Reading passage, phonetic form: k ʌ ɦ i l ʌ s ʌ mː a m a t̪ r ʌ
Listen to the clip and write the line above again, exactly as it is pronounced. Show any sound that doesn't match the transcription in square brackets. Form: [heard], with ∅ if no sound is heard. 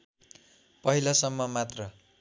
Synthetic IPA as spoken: [p] ʌ ɦ i l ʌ s ʌ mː [ʌ] m a t̪ r ʌ